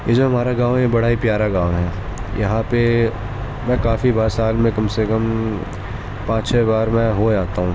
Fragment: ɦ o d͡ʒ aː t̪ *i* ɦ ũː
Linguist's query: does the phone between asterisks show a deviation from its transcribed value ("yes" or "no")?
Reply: yes